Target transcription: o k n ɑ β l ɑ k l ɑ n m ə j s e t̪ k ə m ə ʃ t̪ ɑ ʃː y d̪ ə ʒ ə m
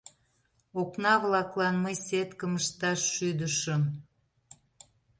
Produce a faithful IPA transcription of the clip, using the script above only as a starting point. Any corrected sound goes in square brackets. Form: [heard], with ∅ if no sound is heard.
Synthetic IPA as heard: o k n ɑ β l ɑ k l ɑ n m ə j s e t̪ k ə m ə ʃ t̪ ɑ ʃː y d̪ ə [ʃ] ə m